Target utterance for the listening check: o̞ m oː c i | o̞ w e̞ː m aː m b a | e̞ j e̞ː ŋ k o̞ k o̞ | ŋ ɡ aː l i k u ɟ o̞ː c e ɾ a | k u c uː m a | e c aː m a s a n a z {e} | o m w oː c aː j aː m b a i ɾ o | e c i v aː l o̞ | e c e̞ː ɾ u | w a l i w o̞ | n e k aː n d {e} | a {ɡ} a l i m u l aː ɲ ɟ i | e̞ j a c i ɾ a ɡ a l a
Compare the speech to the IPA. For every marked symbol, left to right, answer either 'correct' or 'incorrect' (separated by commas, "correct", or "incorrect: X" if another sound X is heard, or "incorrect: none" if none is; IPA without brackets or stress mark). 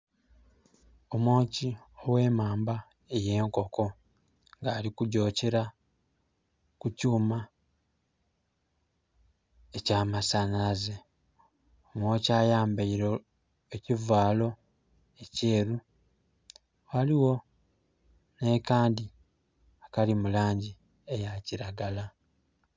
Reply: correct, incorrect: i, incorrect: k